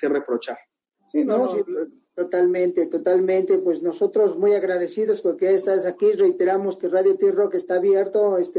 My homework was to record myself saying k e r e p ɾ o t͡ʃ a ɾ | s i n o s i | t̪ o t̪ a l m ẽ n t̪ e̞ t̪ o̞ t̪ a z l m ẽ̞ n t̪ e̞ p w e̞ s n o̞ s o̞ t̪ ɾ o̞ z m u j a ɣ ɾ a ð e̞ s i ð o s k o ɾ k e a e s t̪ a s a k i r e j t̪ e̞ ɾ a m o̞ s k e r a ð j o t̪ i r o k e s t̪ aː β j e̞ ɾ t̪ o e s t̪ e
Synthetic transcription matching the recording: k e r e p ɾ o t͡ʃ a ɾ | s i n o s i | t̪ o t̪ a l m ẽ n t̪ e̞ t̪ o̞ t̪ a l m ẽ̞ n t̪ e̞ p w e̞ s n o̞ s o̞ t̪ ɾ o̞ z m u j a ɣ ɾ a ð e̞ s i ð o s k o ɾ k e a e s t̪ a s a k i r e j t̪ e̞ ɾ a m o̞ s k e r a ð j o t̪ i r o k e s t̪ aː β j e̞ ɾ t̪ o e s t̪ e